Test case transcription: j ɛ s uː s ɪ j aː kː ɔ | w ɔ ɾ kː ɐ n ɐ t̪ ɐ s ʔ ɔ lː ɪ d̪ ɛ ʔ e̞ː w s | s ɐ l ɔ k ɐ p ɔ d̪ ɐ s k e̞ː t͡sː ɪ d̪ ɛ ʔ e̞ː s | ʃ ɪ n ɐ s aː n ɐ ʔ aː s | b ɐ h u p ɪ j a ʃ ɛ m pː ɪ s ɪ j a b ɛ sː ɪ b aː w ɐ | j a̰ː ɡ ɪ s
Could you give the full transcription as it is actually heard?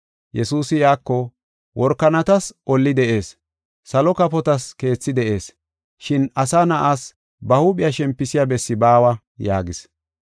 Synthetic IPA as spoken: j ɛ s uː s ɪ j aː kː ɔ | w ɔ ɾ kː ɐ n ɐ t̪ ɐ s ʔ ɔ lː ɪ d̪ ɛ ʔ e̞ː s | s ɐ l ɔ k ɐ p ɔ t̪ ɐ s k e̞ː t͡sː ɪ d̪ ɛ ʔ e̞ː s | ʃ ɪ n ɐ s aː n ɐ ʔ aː s | b ɐ h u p ɪ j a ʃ ɛ m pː ɪ s ɪ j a b ɛ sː ɪ b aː w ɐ | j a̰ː ɡ ɪ s